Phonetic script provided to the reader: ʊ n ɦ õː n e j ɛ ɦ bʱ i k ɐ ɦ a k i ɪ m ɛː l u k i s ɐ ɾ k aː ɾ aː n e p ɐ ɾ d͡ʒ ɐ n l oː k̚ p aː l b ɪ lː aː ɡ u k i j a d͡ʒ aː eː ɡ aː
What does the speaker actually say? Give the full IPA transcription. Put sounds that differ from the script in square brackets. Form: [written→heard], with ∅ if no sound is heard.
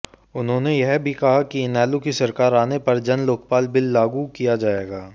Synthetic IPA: ʊ n ɦ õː n e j ɛ ɦ bʱ i k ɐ ɦ a k i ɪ [m→n] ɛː l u k i s ɐ ɾ k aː ɾ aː n e p ɐ ɾ d͡ʒ ɐ n l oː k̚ p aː l b ɪ lː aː ɡ u k i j a d͡ʒ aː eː ɡ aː